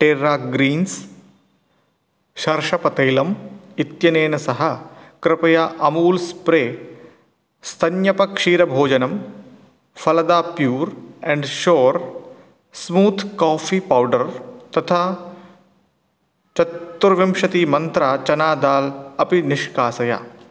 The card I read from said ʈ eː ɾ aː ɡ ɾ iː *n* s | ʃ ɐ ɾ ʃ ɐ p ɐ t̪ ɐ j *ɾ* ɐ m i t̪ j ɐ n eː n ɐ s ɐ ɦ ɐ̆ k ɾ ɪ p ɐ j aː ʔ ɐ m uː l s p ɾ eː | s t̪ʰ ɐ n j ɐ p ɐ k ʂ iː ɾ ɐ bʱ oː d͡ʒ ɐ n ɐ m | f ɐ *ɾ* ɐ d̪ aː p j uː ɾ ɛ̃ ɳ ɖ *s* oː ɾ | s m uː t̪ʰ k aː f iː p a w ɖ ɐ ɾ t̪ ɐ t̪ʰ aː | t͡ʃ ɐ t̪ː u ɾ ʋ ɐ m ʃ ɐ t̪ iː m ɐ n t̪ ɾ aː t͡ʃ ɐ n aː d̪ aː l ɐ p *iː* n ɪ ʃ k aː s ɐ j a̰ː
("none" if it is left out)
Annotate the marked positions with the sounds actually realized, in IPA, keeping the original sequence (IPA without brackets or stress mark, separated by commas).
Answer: n, l, l, ʃ, i